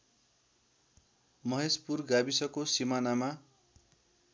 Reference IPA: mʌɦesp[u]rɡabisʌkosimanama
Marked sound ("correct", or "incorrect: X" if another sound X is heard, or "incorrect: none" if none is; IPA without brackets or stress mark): correct